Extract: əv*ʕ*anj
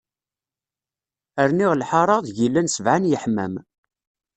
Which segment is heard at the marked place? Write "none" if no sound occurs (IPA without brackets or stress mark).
ʕ